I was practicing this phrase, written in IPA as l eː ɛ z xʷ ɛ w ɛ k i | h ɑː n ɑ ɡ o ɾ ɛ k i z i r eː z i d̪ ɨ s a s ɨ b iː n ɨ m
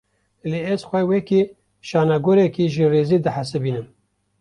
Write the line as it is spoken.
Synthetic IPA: l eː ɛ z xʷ ɛ w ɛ k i | ʃ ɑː n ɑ ɡ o ɾ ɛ k i ʒ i r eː z i d̪ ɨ ħ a s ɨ b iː n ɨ m